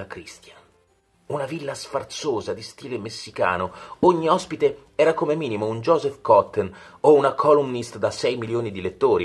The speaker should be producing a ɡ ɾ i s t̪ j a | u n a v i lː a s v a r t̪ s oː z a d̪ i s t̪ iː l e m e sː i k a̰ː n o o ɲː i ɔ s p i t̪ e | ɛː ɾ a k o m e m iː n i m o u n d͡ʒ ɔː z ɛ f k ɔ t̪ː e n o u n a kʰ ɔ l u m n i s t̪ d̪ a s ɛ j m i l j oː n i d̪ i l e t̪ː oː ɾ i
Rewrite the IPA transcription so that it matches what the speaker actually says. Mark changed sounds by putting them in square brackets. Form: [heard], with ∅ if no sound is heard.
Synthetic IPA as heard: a [k] ɾ i s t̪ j a | u n a v i lː a s [f] a r t̪ s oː z a d̪ i s t̪ iː l e m e sː i k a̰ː n o o ɲː i ɔ s p i t̪ e | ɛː ɾ a k o m e m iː n i m o u n d͡ʒ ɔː z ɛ f k ɔ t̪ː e n o u n a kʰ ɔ l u m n i s t̪ d̪ a s ɛ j m i l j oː n i d̪ i l e t̪ː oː ɾ i